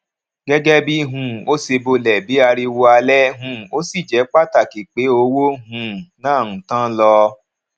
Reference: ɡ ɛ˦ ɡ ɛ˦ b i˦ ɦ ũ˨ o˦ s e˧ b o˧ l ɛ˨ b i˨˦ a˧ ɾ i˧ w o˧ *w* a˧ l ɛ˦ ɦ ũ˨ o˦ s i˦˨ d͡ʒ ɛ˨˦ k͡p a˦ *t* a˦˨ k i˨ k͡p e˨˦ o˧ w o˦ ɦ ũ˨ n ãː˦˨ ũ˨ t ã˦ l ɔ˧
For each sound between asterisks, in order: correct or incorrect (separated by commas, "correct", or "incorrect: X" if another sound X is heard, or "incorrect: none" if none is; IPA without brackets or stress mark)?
incorrect: none, correct